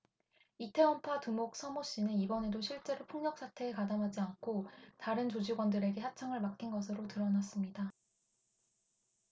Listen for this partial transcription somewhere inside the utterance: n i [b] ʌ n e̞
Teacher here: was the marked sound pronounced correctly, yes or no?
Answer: yes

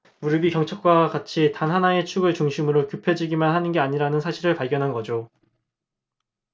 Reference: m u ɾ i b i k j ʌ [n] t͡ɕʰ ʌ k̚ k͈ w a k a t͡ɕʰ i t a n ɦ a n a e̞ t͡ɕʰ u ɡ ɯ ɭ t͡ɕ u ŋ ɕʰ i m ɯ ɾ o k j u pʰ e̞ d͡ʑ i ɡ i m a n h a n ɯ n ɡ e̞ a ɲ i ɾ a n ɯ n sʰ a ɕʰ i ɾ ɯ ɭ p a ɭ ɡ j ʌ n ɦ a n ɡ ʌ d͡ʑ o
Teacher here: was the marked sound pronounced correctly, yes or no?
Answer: no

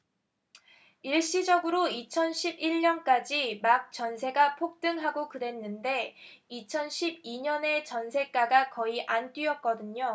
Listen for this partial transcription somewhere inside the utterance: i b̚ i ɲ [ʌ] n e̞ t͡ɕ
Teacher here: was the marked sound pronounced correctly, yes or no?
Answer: yes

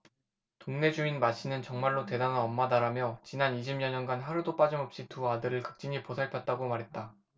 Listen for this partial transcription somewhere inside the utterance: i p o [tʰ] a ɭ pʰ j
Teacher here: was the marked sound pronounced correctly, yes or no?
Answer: no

